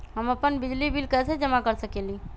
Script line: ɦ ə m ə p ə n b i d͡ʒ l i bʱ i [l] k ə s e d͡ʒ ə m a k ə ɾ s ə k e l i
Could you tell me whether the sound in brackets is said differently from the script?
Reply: no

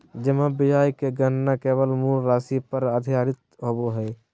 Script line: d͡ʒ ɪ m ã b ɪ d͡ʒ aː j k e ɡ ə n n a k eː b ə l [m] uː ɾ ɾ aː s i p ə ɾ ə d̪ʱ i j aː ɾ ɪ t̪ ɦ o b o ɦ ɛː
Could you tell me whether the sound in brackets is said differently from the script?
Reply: no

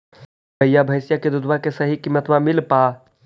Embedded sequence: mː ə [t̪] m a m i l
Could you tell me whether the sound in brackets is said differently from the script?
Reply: no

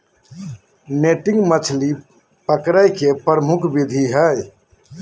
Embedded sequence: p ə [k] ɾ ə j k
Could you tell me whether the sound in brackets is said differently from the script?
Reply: no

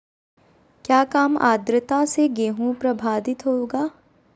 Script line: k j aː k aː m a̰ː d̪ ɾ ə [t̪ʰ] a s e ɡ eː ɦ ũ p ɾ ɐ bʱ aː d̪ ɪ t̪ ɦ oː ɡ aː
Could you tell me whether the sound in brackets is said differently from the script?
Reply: yes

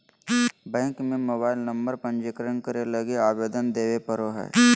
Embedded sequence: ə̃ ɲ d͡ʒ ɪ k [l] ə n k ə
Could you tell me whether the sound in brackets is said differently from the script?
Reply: yes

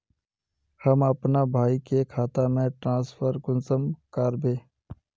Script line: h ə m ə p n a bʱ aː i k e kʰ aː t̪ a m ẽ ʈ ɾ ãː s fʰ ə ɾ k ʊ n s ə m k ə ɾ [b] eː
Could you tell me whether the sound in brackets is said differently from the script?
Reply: no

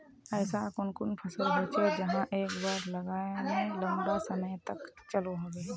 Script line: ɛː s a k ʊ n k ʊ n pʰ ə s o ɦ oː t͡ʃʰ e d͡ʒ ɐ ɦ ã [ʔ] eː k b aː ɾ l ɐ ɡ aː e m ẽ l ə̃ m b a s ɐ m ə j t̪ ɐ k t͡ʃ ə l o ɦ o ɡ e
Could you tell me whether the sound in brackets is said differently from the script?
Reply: no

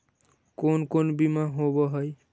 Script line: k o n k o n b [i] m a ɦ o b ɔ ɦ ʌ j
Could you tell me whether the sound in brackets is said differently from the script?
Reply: no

